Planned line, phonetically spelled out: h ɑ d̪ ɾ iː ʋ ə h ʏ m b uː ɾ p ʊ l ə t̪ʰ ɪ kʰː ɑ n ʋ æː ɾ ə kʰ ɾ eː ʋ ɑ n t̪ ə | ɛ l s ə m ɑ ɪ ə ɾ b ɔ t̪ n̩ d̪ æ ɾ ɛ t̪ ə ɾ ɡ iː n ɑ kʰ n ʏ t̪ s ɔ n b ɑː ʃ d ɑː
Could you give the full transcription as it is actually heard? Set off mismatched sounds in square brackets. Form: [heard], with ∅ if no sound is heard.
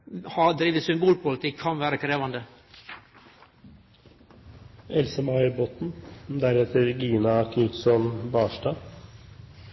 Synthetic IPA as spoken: h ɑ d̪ ɾ iː ʋ ə [s] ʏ m b uː [l] p ʊ l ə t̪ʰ ɪ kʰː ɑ n ʋ æː ɾ ə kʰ ɾ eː ʋ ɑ n [d̪] ə | ɛ l s ə m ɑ ɪ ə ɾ b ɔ t̪ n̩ d̪ æ ɾ ɛ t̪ ə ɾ ɡ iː n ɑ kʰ n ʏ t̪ s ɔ n b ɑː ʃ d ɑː

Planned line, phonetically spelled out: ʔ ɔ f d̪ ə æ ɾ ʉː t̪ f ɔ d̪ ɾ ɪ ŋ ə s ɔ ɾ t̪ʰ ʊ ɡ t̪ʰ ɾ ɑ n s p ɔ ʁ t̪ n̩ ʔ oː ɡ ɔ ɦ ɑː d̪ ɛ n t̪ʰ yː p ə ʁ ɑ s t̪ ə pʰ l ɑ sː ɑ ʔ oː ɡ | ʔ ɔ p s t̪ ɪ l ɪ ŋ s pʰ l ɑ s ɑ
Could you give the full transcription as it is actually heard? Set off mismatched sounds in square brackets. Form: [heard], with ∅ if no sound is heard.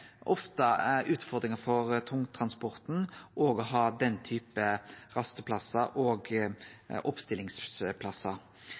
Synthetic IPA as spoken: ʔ ɔ f [t̪] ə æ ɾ ʉː t̪ f ɔ d̪ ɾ ɪ ŋ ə [f] ɔ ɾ t̪ʰ ʊ [ŋ] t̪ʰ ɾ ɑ n s p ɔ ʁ t̪ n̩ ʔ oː ɡ ɔ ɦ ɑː d̪ ɛ n t̪ʰ yː p ə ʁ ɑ s t̪ ə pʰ l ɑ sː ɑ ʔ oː ɡ | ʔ ɔ p s t̪ ɪ l ɪ ŋ s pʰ l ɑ s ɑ

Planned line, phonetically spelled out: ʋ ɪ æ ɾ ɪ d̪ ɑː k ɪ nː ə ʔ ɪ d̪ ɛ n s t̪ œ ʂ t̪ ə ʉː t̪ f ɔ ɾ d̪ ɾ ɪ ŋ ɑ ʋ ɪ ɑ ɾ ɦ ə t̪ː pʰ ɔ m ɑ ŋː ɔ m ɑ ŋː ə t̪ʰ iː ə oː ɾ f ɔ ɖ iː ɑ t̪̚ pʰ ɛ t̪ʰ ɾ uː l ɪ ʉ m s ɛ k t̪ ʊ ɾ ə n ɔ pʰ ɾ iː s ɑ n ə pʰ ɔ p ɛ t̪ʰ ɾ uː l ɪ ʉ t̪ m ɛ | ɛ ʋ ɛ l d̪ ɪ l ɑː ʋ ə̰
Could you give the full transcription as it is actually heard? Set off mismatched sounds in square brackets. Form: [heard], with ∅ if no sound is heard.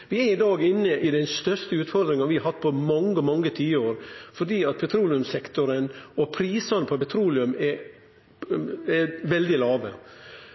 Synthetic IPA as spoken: ʋ ɪ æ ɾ ɪ d̪ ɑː [ɡ] ɪ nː ə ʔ ɪ d̪ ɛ n s t̪ œ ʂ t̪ ə ʉː t̪ f ɔ ɾ d̪ ɾ ɪ ŋ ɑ ʋ ɪ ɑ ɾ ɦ [ɑ] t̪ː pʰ ɔ m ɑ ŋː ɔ m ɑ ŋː ə t̪ʰ iː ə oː ɾ f ɔ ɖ iː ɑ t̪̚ pʰ ɛ t̪ʰ ɾ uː l ɪ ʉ m s ɛ k t̪ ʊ ɾ ə n ɔ pʰ ɾ iː s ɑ n ə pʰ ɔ p ɛ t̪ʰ ɾ uː l ɪ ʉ [∅] m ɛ | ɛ ʋ ɛ l d̪ ɪ l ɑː ʋ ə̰

